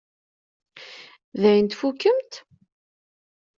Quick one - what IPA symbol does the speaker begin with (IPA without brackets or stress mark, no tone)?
ð